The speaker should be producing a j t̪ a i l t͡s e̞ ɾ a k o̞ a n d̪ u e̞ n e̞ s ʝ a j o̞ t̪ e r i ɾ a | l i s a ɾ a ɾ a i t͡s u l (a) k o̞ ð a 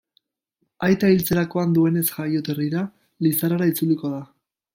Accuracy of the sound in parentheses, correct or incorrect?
incorrect